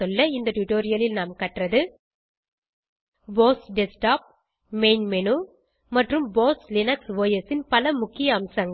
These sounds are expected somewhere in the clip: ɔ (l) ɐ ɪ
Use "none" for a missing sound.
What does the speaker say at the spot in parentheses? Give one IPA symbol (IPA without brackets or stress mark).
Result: lː